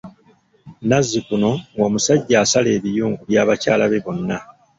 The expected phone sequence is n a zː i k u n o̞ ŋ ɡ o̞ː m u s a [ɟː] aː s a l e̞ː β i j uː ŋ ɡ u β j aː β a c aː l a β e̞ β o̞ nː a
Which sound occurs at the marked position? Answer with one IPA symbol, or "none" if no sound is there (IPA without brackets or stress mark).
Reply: ɟː